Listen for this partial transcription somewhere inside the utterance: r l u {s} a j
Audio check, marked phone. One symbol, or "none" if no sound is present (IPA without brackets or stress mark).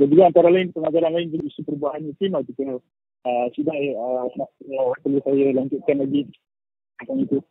s